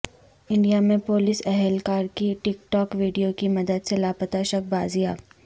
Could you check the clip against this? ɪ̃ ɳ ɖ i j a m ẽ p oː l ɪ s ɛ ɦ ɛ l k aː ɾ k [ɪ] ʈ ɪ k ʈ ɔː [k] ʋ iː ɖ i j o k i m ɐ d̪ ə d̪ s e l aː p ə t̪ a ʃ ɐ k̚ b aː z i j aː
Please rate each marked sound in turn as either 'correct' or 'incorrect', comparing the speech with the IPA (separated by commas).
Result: incorrect, correct